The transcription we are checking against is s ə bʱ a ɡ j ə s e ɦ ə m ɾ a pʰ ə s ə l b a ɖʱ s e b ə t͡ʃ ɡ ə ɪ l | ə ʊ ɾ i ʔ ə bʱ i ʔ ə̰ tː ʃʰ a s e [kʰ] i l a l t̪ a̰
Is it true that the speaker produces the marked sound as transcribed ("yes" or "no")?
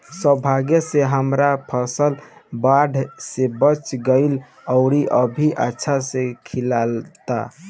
yes